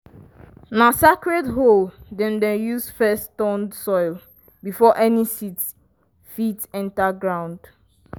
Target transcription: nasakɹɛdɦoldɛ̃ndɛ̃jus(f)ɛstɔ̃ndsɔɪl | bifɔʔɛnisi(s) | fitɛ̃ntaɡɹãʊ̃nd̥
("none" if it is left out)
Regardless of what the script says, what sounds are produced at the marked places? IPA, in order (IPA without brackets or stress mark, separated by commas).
f, t